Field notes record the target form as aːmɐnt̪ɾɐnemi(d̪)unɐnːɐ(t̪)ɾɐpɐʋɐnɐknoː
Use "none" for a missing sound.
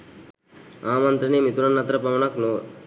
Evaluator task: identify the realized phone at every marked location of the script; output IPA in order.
t̪, t̪

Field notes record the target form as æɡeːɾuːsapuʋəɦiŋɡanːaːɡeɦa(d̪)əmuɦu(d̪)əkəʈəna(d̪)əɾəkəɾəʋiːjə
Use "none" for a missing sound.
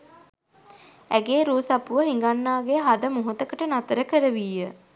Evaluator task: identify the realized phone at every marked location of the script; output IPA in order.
d̪, t̪, t̪

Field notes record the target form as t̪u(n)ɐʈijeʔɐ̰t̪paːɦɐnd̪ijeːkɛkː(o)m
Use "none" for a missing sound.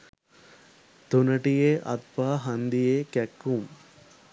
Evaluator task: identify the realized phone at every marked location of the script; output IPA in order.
n, u

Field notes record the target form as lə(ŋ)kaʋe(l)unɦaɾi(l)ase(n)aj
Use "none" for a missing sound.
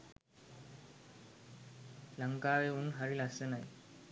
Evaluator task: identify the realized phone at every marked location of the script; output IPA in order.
ŋ, none, l, n

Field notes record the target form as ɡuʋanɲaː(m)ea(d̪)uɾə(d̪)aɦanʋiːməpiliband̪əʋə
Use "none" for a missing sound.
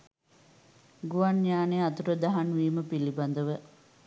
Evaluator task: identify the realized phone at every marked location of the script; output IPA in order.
n, t̪, d̪

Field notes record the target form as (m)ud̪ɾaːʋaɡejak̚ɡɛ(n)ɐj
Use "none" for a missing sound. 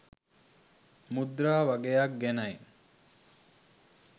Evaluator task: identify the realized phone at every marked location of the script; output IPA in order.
m, n

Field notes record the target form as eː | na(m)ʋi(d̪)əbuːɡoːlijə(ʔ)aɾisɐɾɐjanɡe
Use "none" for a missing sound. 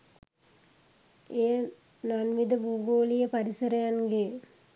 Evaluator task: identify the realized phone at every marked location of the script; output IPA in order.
n, d̪, p

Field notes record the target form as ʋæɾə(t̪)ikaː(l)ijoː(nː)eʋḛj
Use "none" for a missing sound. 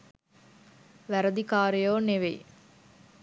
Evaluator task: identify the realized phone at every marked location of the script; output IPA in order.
d̪, ɾ, n

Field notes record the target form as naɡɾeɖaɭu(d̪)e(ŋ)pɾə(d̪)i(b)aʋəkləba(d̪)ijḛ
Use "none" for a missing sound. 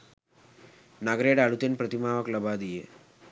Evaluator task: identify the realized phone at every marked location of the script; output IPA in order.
t̪, n, t̪, m, d̪

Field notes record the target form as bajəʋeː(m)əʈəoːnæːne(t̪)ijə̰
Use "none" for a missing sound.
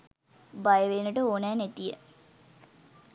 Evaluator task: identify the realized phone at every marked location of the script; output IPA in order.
n, t̪

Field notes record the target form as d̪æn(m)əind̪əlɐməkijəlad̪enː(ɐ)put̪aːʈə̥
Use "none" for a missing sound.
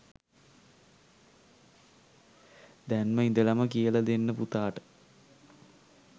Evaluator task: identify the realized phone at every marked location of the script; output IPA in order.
m, ə

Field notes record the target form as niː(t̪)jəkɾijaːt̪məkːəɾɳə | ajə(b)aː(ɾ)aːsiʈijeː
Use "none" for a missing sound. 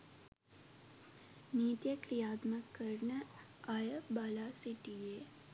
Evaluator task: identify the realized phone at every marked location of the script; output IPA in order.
t̪, b, l

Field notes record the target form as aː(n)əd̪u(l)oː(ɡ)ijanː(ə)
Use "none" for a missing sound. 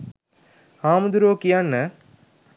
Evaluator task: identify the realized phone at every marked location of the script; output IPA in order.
m, ɾ, k, ə

